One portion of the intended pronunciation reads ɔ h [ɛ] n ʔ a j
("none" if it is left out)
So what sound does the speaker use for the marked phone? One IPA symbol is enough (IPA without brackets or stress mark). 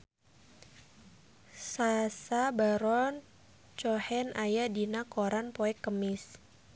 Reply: ɛ